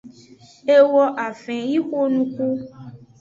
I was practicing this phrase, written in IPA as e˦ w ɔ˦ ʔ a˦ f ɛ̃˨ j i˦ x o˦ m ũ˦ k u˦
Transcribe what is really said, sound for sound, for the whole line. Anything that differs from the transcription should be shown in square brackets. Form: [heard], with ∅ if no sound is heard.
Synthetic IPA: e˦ w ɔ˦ ʔ [a˨] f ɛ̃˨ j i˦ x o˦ [n] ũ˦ k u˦